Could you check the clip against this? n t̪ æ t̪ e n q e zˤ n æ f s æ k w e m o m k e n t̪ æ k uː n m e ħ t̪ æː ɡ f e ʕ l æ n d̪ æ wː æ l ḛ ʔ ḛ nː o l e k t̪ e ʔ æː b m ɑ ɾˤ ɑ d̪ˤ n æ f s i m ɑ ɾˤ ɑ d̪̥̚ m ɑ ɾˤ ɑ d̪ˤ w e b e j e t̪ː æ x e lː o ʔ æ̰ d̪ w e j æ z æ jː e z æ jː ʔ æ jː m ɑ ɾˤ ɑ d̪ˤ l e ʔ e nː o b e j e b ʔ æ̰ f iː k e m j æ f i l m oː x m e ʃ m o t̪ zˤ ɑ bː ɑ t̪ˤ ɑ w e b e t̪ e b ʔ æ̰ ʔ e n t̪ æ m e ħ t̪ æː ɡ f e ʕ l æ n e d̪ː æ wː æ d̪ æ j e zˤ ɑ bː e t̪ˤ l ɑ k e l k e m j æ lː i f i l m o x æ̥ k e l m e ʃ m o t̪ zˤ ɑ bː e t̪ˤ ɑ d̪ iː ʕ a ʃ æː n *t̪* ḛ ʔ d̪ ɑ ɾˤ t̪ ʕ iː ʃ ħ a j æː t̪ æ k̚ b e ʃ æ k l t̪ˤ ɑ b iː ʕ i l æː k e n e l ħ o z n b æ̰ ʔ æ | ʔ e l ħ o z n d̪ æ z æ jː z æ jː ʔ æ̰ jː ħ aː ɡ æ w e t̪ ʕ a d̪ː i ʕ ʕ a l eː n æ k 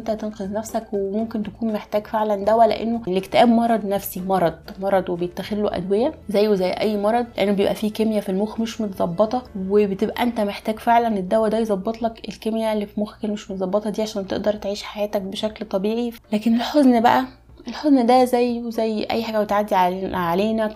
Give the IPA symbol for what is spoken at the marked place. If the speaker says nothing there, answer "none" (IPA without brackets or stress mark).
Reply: t̪